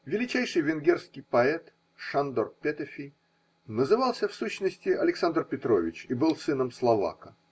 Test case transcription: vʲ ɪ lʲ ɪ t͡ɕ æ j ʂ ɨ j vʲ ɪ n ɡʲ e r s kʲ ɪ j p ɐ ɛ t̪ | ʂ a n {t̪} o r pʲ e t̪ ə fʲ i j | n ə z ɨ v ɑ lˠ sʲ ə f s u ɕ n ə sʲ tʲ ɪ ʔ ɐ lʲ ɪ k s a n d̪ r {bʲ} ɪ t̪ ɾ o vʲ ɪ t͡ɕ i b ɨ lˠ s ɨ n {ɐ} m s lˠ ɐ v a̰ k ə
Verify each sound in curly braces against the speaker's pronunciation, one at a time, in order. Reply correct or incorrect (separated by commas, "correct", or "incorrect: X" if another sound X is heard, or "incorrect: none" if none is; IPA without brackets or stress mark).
incorrect: d̪, incorrect: pʲ, incorrect: ə